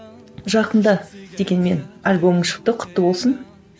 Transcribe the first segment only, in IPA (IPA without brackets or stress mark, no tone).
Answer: ʒ